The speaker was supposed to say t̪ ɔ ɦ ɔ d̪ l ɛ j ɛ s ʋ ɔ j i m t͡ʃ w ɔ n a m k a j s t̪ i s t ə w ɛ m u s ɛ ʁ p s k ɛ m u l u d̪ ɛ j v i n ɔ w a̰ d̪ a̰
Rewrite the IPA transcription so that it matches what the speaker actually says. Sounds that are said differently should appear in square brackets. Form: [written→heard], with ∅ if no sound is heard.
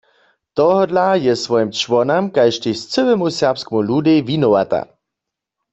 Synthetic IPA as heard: t̪ ɔ ɦ ɔ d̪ l [ɛ→a] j ɛ s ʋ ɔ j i m t͡ʃ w ɔ n a m k a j [s→ʃ] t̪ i s [t→t͡s] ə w ɛ m u s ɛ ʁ p s k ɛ m u l u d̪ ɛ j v i n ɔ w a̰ [d̪→t̪] a̰